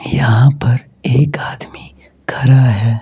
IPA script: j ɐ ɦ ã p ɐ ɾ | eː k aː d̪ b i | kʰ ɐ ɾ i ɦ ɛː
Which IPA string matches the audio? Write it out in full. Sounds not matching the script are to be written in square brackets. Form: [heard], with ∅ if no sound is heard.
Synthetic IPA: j ɐ ɦ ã p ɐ ɾ | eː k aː d̪ [m] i | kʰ ɐ ɾ [a] ɦ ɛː